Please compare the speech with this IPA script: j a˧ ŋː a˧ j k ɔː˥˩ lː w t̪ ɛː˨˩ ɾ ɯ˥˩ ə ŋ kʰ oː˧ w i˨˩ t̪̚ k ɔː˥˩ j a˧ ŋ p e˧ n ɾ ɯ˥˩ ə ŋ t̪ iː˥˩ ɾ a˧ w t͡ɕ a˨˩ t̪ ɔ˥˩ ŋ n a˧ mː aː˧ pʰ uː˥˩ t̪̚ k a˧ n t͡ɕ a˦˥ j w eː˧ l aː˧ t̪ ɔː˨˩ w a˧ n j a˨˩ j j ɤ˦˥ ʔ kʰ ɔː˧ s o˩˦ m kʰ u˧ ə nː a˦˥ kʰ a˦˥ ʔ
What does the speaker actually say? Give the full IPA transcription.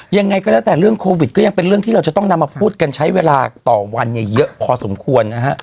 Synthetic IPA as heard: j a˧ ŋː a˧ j k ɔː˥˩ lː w t̪ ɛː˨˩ ɾ ɯ˥˩ ə ŋ kʰ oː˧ w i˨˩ t̪̚ k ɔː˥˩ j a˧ ŋ p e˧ n ɾ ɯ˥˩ ə ŋ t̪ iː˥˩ ɾ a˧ w t͡ɕ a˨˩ t̪ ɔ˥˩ ŋ n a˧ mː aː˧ pʰ uː˥˩ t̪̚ k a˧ n t͡ɕʰ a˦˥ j w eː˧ l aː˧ t̪ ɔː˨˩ w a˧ n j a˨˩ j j ɤ˦˥ ʔ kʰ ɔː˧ s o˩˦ m kʰ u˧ ə nː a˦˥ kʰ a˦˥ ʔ

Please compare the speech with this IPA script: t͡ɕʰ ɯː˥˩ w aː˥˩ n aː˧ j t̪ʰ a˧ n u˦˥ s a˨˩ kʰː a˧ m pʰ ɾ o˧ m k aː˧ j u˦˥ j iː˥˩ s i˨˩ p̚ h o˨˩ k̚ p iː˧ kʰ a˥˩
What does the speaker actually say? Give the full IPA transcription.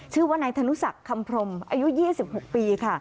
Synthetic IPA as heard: t͡ɕʰ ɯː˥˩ w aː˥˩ n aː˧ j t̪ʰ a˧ n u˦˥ s a˨˩ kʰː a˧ m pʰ ɾ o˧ m ʔ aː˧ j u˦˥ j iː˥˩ s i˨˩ p̚ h o˨˩ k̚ p iː˧ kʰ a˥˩

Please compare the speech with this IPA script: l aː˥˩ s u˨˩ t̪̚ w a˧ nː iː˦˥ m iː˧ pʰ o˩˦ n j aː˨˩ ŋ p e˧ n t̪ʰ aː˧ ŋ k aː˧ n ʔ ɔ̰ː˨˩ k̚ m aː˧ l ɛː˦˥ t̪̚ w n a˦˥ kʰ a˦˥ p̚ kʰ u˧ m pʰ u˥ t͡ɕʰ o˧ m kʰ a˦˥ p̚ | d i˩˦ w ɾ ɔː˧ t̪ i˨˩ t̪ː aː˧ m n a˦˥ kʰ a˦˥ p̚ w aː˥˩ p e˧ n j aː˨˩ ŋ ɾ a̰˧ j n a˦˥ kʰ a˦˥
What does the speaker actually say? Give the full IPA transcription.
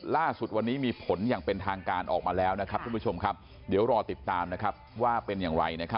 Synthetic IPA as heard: l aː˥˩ s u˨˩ t̪̚ w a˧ nː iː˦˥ m iː˧ pʰ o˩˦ n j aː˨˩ ŋ p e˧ n t̪ʰ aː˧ ŋ k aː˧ n ʔ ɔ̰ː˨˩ k̚ m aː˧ l ɛː˦˥ w n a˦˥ kʰ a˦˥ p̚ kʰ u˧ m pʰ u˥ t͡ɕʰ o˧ m kʰ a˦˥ p̚ | d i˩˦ w ɾ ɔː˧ t̪ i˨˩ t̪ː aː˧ m n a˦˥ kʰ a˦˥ p̚ w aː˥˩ p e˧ n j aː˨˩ ŋ ɾ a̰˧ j n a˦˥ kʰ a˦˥

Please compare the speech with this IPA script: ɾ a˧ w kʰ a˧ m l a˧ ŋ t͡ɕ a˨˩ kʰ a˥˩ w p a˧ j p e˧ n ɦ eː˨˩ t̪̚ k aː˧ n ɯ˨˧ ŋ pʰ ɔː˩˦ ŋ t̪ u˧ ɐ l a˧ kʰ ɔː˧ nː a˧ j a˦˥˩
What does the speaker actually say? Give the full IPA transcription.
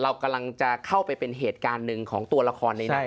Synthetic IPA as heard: ɾ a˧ w k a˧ m l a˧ ŋ t͡ɕ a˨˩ kʰ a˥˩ w p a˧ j p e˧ n ɦ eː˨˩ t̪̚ k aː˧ nː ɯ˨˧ ŋ kʰ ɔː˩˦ ŋ t̪ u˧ ɐ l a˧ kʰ ɔː˧ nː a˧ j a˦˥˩

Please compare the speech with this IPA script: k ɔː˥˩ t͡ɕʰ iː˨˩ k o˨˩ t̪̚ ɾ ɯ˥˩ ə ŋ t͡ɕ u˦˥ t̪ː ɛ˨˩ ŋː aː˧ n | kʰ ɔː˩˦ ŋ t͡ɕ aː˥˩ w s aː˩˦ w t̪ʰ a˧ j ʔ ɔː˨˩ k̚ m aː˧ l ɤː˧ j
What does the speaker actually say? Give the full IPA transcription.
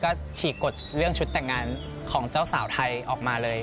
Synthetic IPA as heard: k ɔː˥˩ t͡ɕʰ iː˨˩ k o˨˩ t̪̚ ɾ ɯ˥˩ ə ŋ t͡ɕʰ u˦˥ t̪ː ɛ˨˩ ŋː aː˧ n | kʰ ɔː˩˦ ŋ t͡ɕ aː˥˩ w s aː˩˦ w t̪ʰ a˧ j ʔ ɔː˨˩ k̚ m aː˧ l ɤː˧ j

